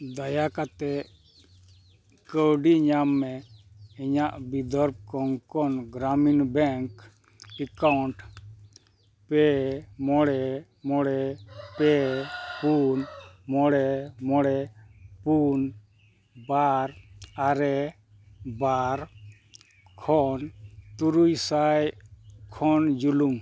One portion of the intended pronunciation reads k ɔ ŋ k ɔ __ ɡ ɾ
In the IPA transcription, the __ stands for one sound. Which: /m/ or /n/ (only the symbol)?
n